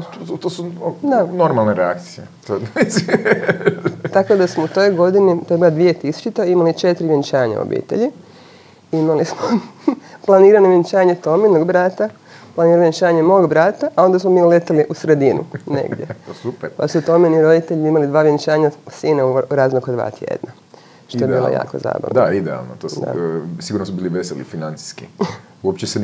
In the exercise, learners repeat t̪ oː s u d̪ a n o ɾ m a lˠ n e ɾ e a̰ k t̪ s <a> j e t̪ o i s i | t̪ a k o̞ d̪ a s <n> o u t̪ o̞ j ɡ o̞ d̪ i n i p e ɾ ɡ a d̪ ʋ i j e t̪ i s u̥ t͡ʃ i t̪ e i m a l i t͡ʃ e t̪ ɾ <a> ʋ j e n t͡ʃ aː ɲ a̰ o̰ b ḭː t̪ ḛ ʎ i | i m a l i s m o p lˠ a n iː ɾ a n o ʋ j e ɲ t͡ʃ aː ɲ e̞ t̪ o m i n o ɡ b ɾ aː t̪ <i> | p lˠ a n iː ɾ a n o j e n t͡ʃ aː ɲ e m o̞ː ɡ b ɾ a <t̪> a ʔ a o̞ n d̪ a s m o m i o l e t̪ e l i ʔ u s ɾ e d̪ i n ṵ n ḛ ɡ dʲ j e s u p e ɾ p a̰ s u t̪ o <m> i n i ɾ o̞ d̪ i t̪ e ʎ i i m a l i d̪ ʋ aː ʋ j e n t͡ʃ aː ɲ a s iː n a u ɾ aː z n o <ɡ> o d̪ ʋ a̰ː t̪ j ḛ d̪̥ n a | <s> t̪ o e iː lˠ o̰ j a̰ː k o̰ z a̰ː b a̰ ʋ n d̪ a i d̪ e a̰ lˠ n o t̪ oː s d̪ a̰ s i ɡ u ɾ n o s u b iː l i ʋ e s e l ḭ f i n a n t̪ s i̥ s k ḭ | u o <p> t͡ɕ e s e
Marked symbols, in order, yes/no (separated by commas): no, no, no, no, yes, yes, no, no, yes